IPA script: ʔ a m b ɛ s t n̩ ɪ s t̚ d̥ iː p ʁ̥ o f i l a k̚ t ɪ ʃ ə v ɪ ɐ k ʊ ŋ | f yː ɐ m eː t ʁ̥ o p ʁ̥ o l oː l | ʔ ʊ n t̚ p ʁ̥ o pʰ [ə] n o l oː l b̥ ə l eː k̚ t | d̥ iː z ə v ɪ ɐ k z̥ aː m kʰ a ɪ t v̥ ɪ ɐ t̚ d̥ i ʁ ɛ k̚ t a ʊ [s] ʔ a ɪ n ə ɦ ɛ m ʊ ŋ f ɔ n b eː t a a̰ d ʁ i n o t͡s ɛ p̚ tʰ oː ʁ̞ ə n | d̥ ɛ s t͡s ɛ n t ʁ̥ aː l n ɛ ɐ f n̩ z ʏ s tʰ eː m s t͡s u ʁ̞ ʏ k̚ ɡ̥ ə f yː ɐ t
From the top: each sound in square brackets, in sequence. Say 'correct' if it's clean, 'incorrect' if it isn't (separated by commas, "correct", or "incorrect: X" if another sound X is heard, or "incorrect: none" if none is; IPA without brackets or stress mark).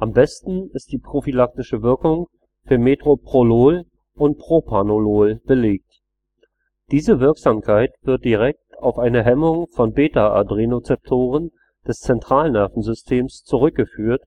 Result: incorrect: a, incorrect: f